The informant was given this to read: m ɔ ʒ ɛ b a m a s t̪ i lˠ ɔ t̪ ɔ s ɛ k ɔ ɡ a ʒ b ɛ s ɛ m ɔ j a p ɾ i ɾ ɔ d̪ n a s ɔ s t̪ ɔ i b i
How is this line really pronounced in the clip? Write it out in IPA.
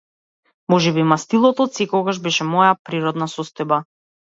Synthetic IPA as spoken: m ɔ ʒ ɛ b i m a s t̪ i lˠ ɔ t̪ ɔ s ɛ k ɔ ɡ a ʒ b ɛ ʃ ɛ m ɔ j a p ɾ i ɾ ɔ d̪ n a s ɔ s t̪ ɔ j b a